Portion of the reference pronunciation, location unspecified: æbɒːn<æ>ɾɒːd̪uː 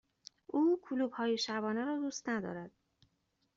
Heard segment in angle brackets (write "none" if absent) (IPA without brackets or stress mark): e